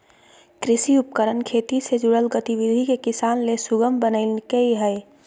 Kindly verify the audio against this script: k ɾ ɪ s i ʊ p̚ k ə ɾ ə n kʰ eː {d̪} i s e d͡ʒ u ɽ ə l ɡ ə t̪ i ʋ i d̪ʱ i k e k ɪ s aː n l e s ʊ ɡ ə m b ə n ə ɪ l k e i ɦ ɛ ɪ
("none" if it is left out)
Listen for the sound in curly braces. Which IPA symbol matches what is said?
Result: t̪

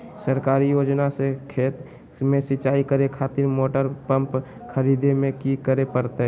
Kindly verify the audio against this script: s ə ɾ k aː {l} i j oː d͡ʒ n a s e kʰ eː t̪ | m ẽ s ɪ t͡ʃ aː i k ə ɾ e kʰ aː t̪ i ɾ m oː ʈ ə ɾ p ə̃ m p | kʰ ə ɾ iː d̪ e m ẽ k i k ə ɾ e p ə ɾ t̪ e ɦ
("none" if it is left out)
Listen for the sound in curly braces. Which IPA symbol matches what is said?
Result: ɾ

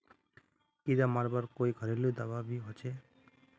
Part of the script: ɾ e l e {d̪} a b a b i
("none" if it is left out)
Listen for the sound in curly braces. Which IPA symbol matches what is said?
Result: d̪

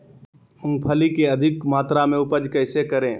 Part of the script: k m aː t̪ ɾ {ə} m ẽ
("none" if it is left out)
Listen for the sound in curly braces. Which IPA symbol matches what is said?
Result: a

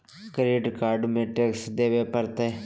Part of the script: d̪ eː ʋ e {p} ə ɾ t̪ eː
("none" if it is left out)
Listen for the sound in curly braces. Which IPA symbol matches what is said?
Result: p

